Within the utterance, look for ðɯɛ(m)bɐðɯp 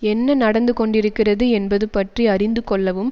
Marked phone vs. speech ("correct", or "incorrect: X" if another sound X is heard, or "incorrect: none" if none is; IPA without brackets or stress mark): incorrect: n